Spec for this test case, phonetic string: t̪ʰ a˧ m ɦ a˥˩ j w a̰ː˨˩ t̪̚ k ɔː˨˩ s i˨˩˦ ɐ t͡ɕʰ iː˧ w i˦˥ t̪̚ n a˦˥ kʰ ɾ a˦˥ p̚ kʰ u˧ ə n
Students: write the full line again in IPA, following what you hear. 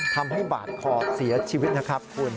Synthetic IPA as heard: t̪ʰ a˧ m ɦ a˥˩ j b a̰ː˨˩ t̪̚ kʰ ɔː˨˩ s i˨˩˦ ɐ t͡ɕʰ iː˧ w i˦˥ t̪̚ n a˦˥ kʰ ɾ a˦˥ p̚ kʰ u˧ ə n